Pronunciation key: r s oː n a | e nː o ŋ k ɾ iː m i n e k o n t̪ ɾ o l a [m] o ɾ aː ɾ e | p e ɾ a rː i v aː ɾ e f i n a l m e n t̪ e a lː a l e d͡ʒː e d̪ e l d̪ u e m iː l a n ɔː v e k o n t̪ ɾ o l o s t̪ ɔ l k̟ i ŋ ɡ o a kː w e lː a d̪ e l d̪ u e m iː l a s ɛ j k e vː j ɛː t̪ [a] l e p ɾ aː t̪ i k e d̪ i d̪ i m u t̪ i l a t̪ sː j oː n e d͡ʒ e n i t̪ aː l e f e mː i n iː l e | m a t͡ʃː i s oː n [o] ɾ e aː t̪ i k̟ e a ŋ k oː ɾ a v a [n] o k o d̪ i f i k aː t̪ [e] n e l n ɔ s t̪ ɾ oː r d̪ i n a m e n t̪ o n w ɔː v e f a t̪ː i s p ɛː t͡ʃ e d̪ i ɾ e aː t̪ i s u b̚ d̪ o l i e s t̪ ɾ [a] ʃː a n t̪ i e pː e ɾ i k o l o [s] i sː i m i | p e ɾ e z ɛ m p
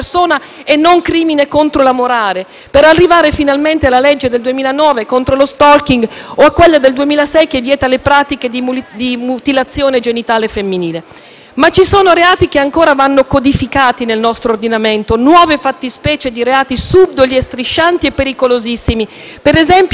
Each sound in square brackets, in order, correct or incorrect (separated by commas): correct, correct, correct, incorrect, incorrect, incorrect, incorrect